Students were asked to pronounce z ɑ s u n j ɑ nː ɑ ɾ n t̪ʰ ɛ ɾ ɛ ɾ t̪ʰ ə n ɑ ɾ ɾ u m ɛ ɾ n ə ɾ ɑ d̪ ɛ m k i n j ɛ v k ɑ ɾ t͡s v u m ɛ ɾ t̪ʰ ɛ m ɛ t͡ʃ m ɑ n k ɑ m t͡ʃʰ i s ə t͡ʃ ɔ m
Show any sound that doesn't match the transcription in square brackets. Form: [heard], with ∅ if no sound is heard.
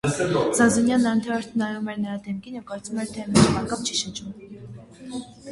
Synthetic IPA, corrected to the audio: z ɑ [z] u n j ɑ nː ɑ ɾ n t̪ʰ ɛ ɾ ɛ ɾ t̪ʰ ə n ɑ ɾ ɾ u m ɛ ɾ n ə ɾ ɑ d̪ ɛ m k i n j ɛ v k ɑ ɾ t͡s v u m ɛ ɾ t̪ʰ ɛ m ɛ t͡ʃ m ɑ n k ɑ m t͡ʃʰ i [ʃ] ə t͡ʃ [u] m